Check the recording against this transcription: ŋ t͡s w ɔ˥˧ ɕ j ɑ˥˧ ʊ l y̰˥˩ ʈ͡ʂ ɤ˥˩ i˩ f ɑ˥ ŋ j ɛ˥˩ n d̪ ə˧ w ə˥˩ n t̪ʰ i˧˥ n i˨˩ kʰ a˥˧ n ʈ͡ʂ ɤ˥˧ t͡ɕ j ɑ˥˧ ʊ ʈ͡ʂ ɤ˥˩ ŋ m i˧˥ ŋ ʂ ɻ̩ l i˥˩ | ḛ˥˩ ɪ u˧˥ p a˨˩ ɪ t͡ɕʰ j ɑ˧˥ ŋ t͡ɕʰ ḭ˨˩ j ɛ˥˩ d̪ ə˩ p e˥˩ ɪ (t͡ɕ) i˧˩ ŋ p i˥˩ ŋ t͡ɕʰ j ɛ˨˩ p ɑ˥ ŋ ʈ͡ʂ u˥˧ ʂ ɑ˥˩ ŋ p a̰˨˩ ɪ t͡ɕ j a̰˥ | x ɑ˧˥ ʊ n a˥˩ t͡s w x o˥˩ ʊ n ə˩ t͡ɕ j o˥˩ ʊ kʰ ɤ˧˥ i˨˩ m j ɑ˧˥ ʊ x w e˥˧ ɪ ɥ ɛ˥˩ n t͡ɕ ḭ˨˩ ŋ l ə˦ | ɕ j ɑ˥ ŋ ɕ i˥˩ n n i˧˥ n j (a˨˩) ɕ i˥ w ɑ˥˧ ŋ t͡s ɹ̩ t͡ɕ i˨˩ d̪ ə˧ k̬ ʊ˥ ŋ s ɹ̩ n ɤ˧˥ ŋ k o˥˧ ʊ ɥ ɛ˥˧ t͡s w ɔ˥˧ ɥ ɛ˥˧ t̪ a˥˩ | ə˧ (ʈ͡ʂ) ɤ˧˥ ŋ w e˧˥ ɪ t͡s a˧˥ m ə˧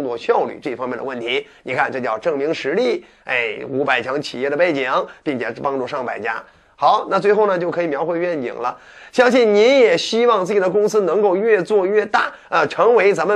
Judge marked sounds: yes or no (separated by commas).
yes, no, no